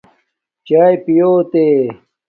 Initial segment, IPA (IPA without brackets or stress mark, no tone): t͡ɕ